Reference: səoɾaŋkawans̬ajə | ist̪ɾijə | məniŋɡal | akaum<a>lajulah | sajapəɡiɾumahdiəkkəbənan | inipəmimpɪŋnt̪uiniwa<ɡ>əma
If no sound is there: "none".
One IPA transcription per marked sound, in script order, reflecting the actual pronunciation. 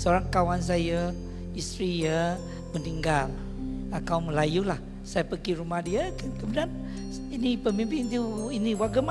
ə, ɡ

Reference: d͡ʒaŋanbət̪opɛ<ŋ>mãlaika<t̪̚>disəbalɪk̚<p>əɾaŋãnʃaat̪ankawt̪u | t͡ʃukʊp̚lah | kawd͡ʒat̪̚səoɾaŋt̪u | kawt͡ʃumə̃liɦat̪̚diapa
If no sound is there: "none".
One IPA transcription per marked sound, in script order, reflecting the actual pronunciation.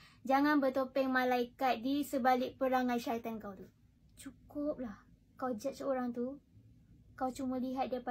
ŋ, t̪̚, p

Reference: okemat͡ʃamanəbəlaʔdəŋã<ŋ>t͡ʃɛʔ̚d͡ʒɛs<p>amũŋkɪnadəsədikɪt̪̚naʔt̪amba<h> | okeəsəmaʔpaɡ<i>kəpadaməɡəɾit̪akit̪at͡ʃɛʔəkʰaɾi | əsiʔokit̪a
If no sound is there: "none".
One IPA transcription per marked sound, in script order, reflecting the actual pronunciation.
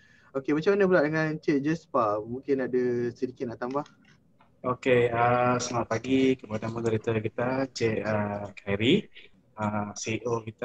n, p, h, i

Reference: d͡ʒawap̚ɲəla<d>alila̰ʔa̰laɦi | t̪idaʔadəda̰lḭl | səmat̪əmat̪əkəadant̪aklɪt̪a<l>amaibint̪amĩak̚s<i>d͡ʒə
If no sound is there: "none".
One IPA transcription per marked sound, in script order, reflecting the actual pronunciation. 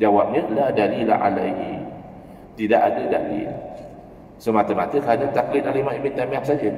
d, l, a

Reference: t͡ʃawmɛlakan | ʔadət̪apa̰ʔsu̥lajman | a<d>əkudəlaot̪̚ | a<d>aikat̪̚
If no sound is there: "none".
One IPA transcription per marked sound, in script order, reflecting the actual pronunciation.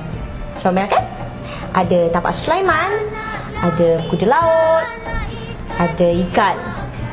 d, d

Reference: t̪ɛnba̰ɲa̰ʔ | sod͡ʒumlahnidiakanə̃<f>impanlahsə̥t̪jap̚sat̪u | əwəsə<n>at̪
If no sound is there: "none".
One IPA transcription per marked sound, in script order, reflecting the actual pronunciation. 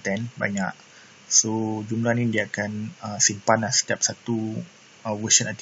s, n

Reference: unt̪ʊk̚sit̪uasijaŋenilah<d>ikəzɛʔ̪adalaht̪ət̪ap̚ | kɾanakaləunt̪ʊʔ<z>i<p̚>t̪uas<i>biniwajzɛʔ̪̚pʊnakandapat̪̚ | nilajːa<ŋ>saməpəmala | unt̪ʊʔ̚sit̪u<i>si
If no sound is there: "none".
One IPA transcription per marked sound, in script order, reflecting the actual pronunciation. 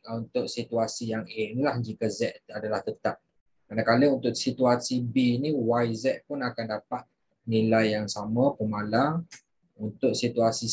d͡ʒ, s, none, i, ŋ, a

